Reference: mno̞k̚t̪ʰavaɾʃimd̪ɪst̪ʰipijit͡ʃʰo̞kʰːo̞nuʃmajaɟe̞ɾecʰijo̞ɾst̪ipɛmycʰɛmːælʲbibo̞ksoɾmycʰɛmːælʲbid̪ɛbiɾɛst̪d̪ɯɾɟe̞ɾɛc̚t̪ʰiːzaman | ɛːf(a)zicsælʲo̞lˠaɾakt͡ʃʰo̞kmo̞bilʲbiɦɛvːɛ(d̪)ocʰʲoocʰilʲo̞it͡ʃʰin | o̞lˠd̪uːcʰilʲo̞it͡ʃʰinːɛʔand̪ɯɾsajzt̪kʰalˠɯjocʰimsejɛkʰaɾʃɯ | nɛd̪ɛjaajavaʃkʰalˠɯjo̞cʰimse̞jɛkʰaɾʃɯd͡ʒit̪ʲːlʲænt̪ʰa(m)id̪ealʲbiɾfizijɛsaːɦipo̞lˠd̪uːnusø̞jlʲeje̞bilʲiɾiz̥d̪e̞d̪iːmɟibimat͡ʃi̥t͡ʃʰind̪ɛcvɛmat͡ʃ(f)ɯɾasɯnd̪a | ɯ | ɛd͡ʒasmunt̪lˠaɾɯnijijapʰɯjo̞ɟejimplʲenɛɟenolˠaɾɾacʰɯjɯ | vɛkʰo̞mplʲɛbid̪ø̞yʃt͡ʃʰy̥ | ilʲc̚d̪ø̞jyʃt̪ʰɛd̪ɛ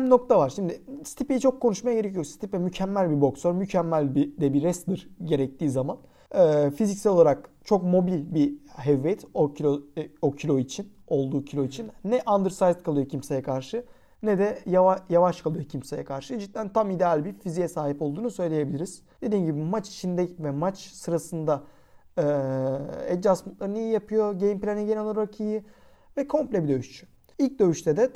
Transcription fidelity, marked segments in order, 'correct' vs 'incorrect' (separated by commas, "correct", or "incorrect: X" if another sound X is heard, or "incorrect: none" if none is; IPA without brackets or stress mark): incorrect: i, incorrect: t̪, correct, incorrect: s